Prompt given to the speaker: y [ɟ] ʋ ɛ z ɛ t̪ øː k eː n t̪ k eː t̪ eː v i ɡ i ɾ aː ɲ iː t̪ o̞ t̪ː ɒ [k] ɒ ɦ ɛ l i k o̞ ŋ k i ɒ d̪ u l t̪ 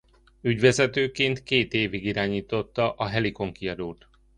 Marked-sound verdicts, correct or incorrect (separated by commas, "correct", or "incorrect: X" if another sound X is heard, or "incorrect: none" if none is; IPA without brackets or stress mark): correct, incorrect: ʔ